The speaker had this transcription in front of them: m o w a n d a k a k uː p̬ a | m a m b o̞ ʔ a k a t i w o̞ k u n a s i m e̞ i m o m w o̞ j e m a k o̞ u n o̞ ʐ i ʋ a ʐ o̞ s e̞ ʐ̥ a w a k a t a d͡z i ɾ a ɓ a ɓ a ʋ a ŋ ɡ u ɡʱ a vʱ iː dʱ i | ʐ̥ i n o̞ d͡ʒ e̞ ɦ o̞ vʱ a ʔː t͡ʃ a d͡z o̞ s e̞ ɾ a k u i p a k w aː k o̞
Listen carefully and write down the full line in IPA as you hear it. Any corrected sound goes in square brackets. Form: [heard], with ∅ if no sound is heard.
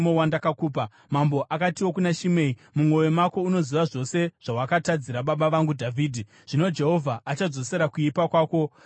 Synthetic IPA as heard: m o w a n d a k a k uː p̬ a | m a m b o̞ ʔ a k a t i w o̞ k u n a [ʃ] i m e̞ i m [u] m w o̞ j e m a k o̞ u n o̞ [z] i ʋ a ʐ o̞ s e̞ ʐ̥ a w a k a t a d͡z i ɾ a ɓ a ɓ a ʋ a ŋ ɡ u [dʱ] a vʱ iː dʱ i | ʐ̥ i n o̞ d͡ʒ e̞ ɦ o̞ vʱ a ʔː t͡ʃ a d͡z o̞ s e̞ ɾ a k u i p a k w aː k o̞

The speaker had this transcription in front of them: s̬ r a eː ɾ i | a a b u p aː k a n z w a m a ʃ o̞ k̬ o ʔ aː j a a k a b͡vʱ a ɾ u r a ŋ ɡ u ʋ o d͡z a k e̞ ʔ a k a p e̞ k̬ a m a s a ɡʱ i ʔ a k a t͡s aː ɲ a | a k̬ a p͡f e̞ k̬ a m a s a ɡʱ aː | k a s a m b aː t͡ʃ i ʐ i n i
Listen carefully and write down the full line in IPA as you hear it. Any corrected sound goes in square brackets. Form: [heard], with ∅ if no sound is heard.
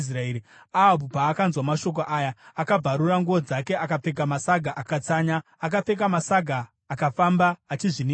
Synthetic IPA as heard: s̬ r a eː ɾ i | a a b u p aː k a n z w a m a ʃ o̞ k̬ o ʔ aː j a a k a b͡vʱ a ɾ u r a ŋ ɡ u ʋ o d͡z a k e̞ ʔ a k a [p͡f] e̞ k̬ a m a s a ɡʱ [a] ʔ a k a t͡s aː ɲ a | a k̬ a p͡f e̞ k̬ a m a s a ɡʱ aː | k a [f] a m b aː t͡ʃ i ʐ i n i

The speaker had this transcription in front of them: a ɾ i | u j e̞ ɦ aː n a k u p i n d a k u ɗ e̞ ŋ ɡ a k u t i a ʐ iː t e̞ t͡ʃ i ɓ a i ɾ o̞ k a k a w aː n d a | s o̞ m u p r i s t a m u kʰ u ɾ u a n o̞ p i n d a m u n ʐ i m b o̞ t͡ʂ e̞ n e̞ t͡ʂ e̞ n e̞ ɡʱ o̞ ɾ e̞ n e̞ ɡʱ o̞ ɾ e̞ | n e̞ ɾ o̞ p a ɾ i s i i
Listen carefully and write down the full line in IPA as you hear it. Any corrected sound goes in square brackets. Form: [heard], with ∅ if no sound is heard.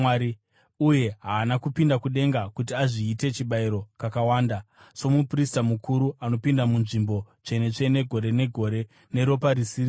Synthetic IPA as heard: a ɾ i | u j e̞ ɦ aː n a k u p i n d a k u ɗ e̞ ŋ ɡ a k u t i a ʐ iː t e̞ t͡ʃ i ɓ a i ɾ o̞ k a k a w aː n d a | s o̞ m u p r i s t a m u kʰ u ɾ u a n o̞ p i n d a m u n ʐ i m b o̞ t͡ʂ e̞ n e̞ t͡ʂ e̞ n e̞ ɡʱ o̞ ɾ e̞ n e̞ ɡʱ o̞ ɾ e̞ | n e̞ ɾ o̞ p a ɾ i s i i

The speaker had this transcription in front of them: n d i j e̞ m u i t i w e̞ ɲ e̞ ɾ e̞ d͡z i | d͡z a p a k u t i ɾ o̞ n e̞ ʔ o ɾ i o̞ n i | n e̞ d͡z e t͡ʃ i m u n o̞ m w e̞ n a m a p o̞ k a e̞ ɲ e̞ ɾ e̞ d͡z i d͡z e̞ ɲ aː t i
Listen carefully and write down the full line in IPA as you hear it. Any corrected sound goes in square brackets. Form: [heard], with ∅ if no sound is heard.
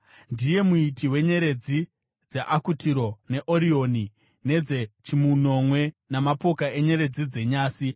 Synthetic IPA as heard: n d i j e̞ m u i t i w e̞ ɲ e̞ ɾ e̞ d͡z i | d͡z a [ʔ] a k u t i ɾ o̞ n e̞ ʔ o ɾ i o̞ n i | n e̞ d͡z e t͡ʃ i m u n o̞ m w e̞ n a m a p o̞ k a e̞ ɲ e̞ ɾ e̞ d͡z i d͡z e̞ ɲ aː [s] i

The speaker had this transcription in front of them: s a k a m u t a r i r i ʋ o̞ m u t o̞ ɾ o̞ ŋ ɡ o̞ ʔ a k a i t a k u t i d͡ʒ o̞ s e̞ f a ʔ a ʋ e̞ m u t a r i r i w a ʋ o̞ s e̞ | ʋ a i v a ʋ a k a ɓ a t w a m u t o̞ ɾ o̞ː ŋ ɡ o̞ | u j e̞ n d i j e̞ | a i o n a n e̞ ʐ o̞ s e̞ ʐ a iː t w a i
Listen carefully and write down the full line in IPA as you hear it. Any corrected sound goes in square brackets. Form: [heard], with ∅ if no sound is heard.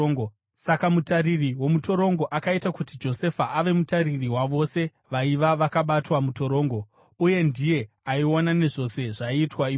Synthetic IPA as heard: s a k a m u t a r i r i [w] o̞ m u t o̞ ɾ o̞ ŋ ɡ o̞ ʔ a k a i t a k u t i d͡ʒ o̞ s e̞ f a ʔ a ʋ e̞ m u t a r i r i w a ʋ o̞ s e̞ | ʋ a i [ʋ] a ʋ a k a ɓ a t w a m u t o̞ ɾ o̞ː ŋ ɡ o̞ | u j e̞ n d i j e̞ | a i o n a n e̞ ʐ o̞ s e̞ ʐ a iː t w a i

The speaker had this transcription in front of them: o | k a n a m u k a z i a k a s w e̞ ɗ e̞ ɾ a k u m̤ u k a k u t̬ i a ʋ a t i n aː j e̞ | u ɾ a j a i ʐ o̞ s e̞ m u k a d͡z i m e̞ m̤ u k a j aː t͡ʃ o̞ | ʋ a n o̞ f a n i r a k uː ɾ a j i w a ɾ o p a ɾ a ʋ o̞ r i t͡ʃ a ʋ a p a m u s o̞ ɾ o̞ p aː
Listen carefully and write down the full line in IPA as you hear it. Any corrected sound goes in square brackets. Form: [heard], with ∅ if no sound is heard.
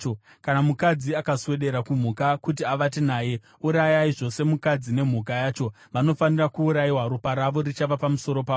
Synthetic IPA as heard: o | k a n a m u k a [d͡z] i a k a s w e̞ ɗ e̞ ɾ a k u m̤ u k a k u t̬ i a ʋ a t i n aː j e̞ | u ɾ a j a i ʐ o̞ s e̞ m u k a d͡z i [n] e̞ m̤ u k a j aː t͡ʃ o̞ | ʋ a n o̞ f a n i r a k uː ɾ a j i w a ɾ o p a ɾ a ʋ o̞ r i t͡ʃ a ʋ a p a m u s o̞ ɾ o̞ p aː

